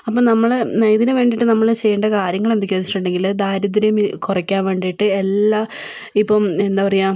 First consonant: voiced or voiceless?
voiceless